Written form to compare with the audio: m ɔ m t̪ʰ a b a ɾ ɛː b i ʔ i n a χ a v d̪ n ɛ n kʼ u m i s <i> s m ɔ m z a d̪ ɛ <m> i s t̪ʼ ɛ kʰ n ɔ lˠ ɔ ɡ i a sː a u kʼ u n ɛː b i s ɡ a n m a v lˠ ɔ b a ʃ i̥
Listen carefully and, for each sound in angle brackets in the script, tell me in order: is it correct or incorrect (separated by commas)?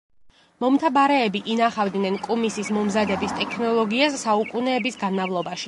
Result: correct, incorrect